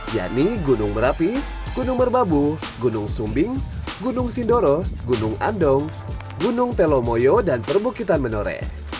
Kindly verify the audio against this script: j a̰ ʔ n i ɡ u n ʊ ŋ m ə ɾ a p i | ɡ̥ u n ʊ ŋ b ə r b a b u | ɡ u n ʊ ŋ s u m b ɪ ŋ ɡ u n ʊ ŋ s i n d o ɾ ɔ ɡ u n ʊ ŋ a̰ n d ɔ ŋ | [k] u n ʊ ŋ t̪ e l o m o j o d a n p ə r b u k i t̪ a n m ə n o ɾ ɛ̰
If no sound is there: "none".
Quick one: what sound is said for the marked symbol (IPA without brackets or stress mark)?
ɡ